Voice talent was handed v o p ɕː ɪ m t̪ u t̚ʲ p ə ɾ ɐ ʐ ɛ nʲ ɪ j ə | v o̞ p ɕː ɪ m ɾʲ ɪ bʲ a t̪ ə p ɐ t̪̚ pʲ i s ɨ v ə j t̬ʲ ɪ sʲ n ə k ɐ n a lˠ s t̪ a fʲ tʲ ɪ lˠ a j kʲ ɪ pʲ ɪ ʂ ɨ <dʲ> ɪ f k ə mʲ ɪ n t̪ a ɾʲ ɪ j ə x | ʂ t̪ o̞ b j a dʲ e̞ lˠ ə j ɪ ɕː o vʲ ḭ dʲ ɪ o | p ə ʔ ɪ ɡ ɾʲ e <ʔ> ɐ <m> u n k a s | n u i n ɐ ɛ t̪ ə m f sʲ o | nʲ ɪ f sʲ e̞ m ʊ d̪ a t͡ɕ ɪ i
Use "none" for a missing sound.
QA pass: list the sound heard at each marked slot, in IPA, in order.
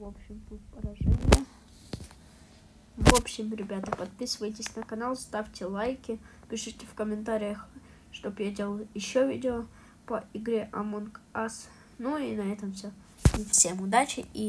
tʲ, ʔ, m

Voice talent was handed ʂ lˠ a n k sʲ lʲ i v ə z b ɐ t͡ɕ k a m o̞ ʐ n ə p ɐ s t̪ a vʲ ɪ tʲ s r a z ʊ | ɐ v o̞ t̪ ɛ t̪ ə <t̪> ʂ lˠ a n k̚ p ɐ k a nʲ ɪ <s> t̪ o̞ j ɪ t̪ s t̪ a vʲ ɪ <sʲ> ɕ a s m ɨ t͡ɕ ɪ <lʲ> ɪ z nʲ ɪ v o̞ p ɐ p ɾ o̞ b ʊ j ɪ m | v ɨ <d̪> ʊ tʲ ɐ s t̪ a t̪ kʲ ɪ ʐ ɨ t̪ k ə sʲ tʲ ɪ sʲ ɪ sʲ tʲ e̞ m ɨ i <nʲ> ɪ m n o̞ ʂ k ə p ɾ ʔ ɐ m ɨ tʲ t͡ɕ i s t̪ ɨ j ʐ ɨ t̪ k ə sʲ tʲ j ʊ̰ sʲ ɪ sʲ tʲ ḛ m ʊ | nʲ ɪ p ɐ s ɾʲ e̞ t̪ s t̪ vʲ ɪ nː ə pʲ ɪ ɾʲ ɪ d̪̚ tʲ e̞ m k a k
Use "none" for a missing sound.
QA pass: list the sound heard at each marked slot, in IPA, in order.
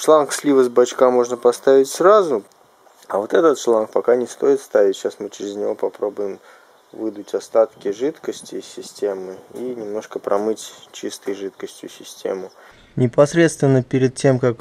t̪, s, tʲ, ɾʲ, d̪, nʲ

